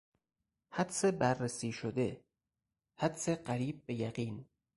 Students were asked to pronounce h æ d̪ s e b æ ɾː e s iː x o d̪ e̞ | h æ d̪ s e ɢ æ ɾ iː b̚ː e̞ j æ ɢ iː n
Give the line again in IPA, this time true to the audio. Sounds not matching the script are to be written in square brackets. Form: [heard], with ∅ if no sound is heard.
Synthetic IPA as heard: h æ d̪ s e b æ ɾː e s iː [ʃ] o d̪ e̞ | h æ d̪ s e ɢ æ ɾ iː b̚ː e̞ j æ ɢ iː n

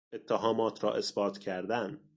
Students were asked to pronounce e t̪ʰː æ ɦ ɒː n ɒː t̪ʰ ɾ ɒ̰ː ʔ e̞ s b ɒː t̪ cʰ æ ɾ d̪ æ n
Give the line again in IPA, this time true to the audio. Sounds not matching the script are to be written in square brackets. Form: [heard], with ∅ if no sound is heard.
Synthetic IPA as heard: e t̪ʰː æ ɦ ɒː [m] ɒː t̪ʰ ɾ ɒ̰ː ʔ e̞ s b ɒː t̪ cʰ æ ɾ d̪ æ n

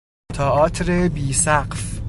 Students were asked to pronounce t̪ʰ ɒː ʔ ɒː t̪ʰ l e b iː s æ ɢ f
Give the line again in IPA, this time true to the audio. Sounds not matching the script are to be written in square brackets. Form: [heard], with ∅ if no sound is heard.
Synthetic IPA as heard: t̪ʰ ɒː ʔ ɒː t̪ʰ [ɾ] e b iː s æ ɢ f

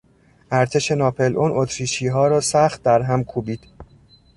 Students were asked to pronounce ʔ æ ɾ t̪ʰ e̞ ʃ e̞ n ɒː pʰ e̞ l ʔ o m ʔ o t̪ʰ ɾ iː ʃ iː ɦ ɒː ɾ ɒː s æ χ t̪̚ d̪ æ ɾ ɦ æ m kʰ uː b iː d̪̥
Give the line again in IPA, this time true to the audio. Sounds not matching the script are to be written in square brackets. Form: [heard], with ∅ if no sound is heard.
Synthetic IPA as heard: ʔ æ ɾ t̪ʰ e̞ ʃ e̞ n ɒː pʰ e̞ l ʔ o [n] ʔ o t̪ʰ ɾ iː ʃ iː ɦ ɒː ɾ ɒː s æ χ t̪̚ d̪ æ ɾ ɦ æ m kʰ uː b iː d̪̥

